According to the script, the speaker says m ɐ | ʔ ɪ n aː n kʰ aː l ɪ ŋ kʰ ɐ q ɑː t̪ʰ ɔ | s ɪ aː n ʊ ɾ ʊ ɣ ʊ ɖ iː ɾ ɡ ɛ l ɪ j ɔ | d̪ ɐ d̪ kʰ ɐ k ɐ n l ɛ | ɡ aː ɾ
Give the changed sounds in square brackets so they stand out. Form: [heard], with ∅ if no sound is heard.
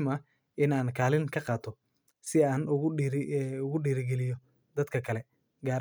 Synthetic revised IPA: m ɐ | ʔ ɪ n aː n kʰ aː l ɪ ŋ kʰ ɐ q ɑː t̪ʰ ɔ | s ɪ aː n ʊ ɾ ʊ ɣ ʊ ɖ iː ɾ ɡ ɛ l ɪ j ɔ | d̪ ɐ d̪ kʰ ɐ [kʰ] ɐ [∅] l ɛ | ɡ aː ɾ